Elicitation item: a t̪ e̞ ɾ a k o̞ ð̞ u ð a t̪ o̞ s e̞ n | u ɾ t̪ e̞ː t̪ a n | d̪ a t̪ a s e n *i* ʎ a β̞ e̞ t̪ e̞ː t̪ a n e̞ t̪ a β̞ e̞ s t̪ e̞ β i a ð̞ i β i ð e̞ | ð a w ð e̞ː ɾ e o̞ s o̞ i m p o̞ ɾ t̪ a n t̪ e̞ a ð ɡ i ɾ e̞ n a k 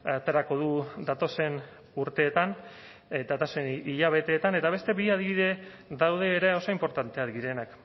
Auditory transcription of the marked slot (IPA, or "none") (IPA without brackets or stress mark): i